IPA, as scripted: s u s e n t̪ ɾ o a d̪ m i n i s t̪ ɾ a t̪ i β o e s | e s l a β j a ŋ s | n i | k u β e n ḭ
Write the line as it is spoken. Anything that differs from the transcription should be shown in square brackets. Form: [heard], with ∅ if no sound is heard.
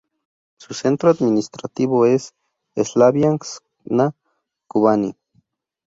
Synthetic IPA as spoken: s u s e n t̪ ɾ o a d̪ m i n i s t̪ ɾ a t̪ i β o e s | e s l a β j a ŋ s | n [a] | k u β [a] n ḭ

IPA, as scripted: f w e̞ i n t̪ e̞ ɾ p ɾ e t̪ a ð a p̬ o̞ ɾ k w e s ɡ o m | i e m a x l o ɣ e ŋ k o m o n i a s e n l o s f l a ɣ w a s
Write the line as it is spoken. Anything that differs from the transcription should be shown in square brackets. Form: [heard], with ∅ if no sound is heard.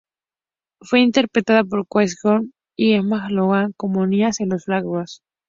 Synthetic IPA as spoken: f w e̞ i n t̪ e̞ ɾ p ɾ e t̪ a ð a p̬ o̞ ɾ k w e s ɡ o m | i e m a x l o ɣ [a] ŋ k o m o n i a s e n l o s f l a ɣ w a s

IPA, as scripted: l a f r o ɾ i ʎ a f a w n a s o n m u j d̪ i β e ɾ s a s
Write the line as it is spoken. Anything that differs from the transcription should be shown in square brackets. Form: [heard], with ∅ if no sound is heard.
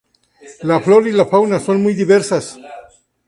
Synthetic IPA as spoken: l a f [l] o ɾ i [l] a f a w n a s o n m u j d̪ i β e ɾ s a s

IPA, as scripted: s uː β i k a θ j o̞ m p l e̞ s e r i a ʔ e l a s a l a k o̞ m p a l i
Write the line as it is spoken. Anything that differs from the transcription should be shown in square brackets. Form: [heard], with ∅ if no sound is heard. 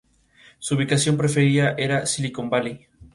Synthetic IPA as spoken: s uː β i k a [s] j o̞ m p [ɾ] e̞ [f] e [ɾ] i a ʔ e [ɾ] a s [i] l [i] k o̞ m [b] a l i

